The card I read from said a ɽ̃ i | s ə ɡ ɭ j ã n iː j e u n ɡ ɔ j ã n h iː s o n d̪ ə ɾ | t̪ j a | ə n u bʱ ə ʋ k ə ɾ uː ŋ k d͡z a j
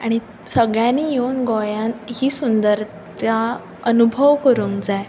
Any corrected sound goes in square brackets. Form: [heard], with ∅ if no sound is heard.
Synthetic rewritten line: a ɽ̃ i | s ə ɡ ɭ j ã n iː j e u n ɡ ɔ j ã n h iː s [u] n d̪ ə ɾ | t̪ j a | ə n u bʱ ə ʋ k ə ɾ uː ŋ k d͡z a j

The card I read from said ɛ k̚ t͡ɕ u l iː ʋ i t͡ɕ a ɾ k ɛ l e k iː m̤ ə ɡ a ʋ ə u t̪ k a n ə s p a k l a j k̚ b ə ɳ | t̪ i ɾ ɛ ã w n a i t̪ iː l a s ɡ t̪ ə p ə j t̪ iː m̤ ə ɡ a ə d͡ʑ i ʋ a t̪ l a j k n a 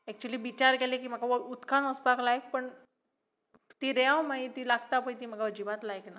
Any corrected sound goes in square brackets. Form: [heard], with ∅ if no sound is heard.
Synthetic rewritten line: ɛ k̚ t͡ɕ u l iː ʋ i t͡ɕ a ɾ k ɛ l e k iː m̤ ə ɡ a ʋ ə u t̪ k a n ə s p a k l a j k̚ [p] ə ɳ | t̪ i ɾ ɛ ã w [m] a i t̪ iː l a [∅] ɡ t̪ [a] p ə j t̪ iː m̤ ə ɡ a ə d͡ʑ i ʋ a t̪ l a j k n a

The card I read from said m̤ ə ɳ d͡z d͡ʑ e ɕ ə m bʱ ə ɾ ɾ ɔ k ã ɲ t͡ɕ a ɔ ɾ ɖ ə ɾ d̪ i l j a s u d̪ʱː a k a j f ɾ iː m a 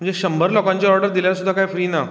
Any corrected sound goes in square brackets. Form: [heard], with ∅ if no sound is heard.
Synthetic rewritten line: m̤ ə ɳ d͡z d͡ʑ e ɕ ə m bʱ ə ɾ [l] ɔ k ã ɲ t͡ɕ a ɔ ɾ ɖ ə ɾ d̪ i l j a s u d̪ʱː a k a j f ɾ iː [n] a

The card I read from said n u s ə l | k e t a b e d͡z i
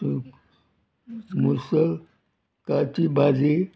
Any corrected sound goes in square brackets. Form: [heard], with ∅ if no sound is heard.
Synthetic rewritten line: [m] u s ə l | k [a] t [i] b [a] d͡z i

